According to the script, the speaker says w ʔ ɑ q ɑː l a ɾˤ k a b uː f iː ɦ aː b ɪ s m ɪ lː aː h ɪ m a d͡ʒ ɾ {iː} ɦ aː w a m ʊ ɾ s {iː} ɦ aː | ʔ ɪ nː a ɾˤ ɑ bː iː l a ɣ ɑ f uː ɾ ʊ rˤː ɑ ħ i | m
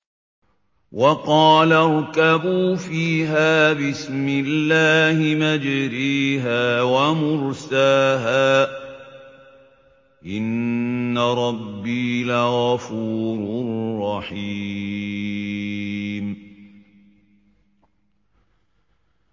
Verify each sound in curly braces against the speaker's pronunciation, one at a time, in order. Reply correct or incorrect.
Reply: correct, incorrect

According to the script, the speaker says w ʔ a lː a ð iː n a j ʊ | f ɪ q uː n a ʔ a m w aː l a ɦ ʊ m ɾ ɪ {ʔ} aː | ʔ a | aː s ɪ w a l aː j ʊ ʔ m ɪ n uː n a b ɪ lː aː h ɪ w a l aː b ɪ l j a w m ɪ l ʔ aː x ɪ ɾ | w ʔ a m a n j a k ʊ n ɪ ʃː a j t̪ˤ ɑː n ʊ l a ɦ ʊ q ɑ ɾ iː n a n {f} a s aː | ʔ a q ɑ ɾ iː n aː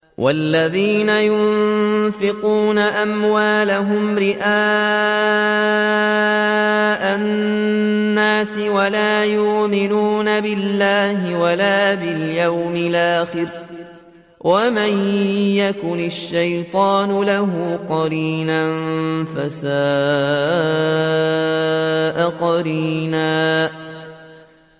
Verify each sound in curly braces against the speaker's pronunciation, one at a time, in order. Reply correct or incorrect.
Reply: correct, correct

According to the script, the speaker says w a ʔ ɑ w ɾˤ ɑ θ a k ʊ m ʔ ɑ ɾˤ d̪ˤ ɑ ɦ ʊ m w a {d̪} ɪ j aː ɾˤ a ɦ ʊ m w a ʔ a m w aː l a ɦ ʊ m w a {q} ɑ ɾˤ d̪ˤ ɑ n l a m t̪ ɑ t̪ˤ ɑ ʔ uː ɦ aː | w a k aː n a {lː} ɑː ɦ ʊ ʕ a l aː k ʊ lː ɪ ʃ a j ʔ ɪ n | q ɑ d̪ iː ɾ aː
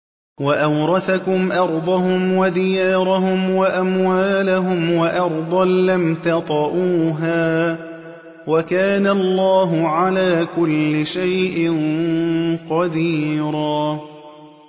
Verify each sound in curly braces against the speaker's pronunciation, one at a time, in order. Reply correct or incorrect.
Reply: correct, incorrect, correct

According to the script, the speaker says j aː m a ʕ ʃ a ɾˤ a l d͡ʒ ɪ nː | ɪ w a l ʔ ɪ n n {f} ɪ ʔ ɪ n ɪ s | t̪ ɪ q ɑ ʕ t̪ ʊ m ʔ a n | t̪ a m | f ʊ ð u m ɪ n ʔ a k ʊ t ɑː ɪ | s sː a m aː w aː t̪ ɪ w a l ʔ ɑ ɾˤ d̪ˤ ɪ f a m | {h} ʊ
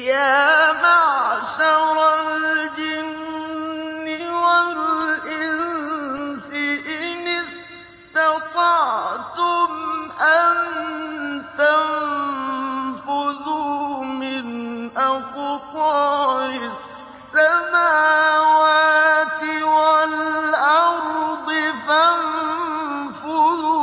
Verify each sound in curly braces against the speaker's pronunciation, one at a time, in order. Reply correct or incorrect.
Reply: incorrect, incorrect

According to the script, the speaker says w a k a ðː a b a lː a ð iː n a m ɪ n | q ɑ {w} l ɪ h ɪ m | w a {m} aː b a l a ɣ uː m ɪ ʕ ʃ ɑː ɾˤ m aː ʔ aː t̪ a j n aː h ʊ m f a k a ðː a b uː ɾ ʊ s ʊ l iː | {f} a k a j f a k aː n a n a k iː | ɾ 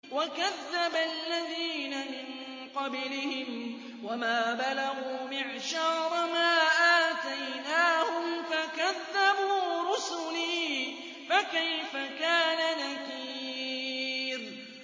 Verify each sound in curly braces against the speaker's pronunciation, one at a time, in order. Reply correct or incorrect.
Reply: incorrect, correct, correct

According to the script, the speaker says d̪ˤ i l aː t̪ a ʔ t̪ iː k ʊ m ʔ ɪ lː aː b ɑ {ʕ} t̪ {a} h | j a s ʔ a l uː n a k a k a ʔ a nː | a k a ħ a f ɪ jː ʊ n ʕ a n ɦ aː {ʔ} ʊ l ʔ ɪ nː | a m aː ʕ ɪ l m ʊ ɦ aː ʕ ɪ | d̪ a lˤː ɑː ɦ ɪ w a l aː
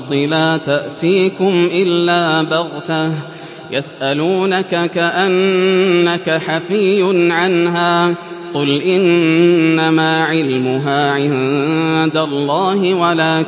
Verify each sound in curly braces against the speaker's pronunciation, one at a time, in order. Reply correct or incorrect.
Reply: incorrect, correct, incorrect

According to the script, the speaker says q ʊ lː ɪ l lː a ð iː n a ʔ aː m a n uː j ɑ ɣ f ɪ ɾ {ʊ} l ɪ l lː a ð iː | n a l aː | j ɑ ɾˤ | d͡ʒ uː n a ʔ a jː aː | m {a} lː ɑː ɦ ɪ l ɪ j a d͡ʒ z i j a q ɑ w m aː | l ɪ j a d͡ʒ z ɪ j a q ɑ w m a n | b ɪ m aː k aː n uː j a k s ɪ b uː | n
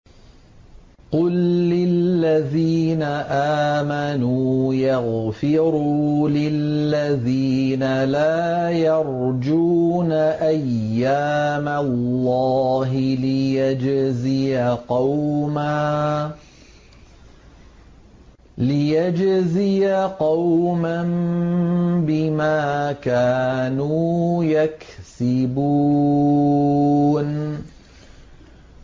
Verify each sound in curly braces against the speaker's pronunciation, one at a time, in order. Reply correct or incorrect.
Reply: incorrect, correct

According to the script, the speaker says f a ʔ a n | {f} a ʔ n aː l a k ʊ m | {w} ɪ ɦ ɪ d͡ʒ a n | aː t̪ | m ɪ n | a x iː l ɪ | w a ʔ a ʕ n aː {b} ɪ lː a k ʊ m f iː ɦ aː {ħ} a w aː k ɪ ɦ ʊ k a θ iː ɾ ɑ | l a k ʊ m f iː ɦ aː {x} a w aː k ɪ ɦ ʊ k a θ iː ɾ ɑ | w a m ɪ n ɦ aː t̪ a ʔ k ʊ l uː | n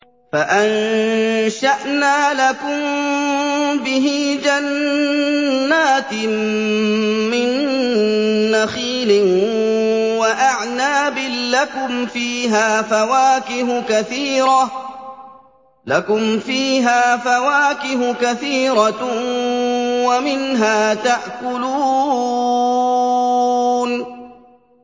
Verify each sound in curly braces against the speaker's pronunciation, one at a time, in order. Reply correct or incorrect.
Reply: incorrect, incorrect, correct, incorrect, incorrect

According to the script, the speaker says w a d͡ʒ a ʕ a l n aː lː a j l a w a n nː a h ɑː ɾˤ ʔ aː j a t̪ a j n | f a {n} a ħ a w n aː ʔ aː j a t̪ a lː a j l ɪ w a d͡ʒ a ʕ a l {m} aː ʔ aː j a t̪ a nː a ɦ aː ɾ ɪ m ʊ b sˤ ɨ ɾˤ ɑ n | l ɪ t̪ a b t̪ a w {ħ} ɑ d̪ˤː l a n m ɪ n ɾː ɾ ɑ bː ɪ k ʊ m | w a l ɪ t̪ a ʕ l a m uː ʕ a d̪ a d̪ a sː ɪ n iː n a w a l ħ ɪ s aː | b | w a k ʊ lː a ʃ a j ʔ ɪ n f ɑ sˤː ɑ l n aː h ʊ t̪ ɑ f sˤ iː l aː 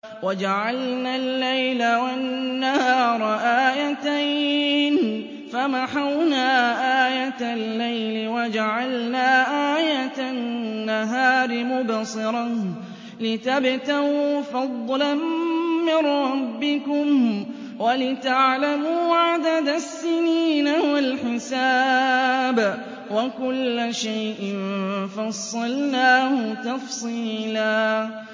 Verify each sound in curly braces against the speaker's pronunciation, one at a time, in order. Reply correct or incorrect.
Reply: incorrect, incorrect, incorrect

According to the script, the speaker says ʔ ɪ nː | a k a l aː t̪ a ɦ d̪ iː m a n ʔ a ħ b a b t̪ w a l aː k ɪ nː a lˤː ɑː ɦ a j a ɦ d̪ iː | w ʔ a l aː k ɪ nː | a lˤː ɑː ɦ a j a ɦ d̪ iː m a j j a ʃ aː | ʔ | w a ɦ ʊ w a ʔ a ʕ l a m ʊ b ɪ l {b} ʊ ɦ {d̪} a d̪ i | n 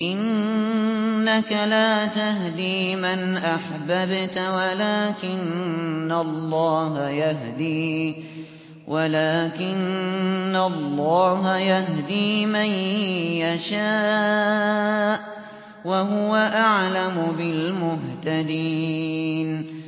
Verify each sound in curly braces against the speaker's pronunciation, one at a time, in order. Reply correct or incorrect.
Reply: incorrect, incorrect

